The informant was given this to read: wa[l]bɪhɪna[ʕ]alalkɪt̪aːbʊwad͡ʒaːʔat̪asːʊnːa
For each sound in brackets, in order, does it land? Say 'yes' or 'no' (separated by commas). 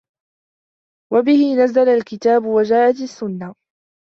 no, no